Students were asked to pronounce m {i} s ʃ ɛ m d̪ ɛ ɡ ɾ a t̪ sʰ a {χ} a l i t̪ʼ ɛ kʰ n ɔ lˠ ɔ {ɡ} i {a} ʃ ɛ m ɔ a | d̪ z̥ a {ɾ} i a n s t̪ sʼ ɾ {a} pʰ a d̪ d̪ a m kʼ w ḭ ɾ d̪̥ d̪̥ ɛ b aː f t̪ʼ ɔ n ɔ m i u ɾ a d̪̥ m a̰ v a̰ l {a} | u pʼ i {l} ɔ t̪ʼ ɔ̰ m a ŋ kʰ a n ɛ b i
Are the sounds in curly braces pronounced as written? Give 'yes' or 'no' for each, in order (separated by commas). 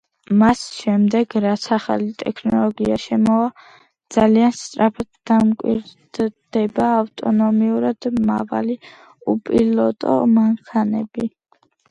no, yes, yes, yes, no, yes, no, yes